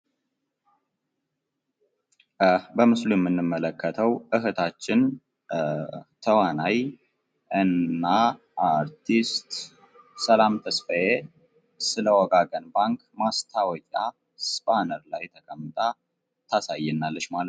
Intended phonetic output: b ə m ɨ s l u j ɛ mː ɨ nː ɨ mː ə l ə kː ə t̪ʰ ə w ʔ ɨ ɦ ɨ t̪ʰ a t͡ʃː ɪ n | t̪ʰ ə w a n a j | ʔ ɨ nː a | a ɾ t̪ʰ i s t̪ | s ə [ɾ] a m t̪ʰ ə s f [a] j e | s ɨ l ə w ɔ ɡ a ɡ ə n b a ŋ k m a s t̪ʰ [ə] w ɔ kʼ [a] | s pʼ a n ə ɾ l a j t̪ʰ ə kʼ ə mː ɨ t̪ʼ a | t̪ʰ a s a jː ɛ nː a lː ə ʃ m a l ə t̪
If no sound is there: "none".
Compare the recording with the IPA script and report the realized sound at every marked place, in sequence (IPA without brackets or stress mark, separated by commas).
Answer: l, ə, a, a